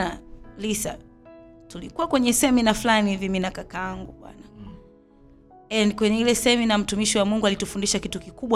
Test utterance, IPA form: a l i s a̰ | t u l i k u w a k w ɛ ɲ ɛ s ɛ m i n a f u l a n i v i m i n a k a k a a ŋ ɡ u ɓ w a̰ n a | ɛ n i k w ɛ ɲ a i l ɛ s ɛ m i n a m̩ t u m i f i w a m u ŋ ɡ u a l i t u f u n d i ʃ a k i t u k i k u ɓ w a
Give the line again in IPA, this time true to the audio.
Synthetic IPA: a l i s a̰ | t u l i k u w a k w ɛ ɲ ɛ s ɛ m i n a f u l a n i v i m i n a k a k a a ŋ ɡ u ɓ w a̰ n a | ɛ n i k w ɛ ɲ ɛ i l ɛ s ɛ m i n a m̩ t u m i ʃ i w a m u ŋ ɡ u a l i t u f u n d i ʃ a k i t u k i k u ɓ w a